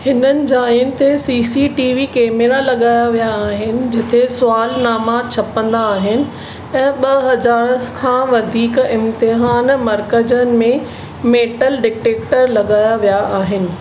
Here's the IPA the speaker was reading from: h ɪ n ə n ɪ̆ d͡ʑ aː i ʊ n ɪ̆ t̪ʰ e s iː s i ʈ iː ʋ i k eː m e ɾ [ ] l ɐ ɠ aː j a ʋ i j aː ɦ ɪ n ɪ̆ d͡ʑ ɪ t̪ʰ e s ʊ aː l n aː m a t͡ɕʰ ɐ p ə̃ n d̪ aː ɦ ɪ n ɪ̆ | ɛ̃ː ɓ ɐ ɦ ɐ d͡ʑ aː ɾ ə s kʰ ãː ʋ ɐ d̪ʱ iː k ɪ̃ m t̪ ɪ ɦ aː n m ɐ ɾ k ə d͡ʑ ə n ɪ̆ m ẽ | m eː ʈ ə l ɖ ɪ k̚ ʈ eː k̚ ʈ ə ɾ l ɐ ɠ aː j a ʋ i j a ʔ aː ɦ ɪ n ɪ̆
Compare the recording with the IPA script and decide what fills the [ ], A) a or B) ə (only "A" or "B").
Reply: A